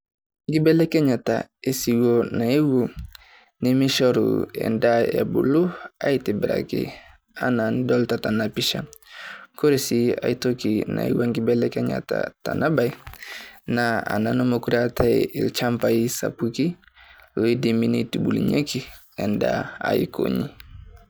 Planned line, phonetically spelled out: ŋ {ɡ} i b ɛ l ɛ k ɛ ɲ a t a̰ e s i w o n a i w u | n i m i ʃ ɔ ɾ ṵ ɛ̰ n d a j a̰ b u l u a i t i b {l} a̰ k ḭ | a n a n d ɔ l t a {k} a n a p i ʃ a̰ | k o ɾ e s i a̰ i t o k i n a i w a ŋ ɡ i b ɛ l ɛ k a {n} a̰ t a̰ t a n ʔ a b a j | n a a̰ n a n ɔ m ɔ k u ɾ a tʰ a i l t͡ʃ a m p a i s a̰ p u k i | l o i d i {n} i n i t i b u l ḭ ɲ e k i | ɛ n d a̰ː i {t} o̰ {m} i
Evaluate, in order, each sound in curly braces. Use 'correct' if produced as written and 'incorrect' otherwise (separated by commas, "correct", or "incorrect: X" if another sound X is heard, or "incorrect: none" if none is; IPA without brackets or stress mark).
correct, incorrect: ɾ, incorrect: t, incorrect: ɲ, incorrect: m, incorrect: k, incorrect: ɲ